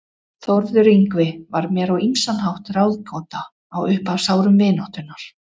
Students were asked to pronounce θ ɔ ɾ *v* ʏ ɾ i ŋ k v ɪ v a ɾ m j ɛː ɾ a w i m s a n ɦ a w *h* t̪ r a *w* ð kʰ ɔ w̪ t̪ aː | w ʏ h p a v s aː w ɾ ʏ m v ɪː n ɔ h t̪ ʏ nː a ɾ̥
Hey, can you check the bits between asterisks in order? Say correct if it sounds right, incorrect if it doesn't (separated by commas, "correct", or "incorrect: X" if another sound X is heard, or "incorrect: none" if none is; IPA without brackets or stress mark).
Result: incorrect: ð, correct, correct